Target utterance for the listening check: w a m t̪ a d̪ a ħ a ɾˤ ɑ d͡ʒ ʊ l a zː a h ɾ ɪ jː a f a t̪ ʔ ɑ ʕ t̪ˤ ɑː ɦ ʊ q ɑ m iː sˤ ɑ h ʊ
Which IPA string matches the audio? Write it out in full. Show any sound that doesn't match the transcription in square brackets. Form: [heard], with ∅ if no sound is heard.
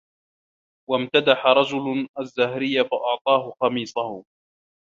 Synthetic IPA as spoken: w a m t̪ a d̪ a ħ a ɾˤ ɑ d͡ʒ ʊ l a zː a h ɾ ɪ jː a f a [∅] ʔ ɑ ʕ t̪ˤ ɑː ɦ ʊ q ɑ m iː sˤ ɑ h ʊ